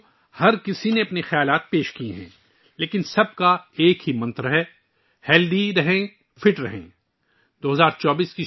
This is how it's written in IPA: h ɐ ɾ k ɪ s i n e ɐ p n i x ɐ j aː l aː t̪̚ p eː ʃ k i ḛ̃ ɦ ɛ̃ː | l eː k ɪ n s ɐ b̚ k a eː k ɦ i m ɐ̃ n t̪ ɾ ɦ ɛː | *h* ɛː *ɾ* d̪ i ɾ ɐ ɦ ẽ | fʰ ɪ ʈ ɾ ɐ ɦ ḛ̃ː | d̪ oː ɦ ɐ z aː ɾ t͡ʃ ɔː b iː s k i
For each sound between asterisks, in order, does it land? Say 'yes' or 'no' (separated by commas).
yes, no